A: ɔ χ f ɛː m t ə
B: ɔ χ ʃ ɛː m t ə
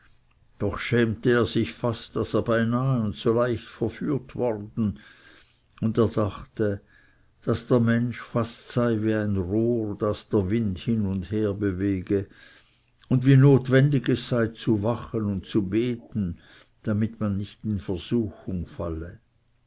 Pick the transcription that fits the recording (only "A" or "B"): B